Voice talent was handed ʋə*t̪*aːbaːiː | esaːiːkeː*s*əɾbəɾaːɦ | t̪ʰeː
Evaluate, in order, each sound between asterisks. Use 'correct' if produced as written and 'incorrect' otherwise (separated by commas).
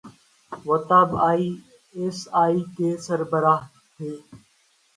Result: correct, correct